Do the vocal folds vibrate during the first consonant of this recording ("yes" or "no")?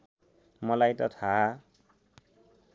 yes